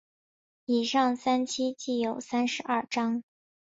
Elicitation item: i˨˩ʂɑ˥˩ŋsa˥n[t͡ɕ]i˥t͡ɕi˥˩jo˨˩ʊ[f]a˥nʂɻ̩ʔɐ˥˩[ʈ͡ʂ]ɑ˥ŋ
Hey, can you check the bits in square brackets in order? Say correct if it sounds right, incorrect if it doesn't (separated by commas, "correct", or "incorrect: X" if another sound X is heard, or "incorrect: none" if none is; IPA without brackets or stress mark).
incorrect: t͡ɕʰ, incorrect: s, correct